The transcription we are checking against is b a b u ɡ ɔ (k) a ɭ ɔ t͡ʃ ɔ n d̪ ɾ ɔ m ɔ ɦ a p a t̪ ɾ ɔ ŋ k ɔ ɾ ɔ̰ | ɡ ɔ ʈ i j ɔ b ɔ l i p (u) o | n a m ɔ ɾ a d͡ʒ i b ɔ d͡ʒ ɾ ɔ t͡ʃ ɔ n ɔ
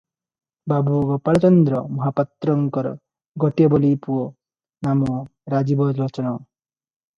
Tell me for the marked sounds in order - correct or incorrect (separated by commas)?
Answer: incorrect, correct